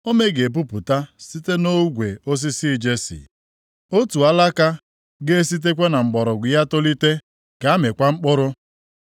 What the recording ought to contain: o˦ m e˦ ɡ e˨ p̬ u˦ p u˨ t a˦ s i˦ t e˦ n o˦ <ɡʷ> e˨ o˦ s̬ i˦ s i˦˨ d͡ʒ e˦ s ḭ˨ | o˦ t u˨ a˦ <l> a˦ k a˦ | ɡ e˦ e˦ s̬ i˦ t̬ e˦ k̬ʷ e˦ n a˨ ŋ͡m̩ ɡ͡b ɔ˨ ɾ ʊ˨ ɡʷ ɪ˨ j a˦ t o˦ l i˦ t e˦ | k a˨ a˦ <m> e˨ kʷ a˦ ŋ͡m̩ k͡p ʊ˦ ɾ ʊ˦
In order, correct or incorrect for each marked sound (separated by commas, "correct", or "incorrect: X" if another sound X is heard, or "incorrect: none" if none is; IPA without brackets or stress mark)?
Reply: correct, correct, correct